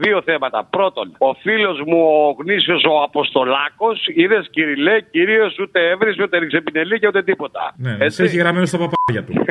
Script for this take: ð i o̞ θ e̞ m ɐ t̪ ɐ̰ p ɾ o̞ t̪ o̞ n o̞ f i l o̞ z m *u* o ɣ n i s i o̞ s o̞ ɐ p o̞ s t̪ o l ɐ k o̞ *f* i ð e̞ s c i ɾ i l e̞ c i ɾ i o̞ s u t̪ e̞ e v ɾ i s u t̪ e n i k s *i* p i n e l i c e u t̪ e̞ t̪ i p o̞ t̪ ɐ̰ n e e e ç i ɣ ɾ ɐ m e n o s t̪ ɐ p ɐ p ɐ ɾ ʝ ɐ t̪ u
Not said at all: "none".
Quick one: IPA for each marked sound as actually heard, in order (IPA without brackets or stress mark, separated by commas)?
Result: u, s, e